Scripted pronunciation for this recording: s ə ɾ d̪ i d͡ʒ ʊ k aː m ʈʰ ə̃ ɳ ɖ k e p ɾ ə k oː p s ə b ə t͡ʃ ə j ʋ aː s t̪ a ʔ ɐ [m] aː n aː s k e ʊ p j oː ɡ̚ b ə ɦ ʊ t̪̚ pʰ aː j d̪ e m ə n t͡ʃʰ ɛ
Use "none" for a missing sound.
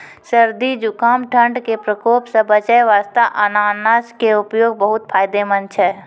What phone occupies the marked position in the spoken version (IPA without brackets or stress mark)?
n